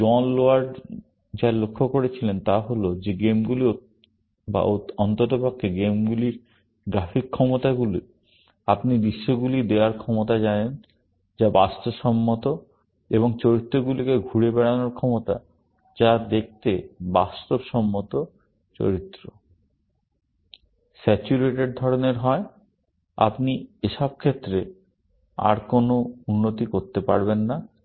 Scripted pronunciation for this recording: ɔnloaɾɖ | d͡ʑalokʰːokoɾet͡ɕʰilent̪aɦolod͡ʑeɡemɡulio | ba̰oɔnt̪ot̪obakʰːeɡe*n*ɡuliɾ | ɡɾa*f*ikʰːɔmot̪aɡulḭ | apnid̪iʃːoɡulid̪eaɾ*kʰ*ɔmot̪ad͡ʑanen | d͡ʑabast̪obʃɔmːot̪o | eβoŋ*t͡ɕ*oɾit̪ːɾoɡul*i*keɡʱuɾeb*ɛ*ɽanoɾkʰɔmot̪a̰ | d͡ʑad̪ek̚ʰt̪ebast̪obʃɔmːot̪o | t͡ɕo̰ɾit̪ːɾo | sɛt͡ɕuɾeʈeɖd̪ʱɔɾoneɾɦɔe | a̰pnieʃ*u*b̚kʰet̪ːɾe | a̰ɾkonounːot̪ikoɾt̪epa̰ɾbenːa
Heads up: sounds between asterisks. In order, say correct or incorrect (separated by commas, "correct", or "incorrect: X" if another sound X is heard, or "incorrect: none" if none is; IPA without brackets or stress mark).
incorrect: m, correct, correct, correct, correct, correct, incorrect: ɔ